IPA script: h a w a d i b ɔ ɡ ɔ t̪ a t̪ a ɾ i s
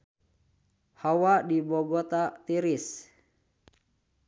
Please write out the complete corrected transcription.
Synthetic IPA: h a w a d i b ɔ ɡ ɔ t̪ a t̪ i ɾ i s